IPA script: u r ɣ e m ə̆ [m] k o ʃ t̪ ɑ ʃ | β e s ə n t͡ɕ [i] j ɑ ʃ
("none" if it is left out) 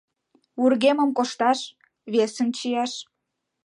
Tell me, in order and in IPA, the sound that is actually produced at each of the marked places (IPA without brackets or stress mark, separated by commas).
m, i